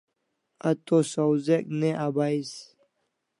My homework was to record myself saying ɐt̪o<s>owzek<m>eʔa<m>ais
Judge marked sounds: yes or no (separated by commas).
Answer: yes, no, no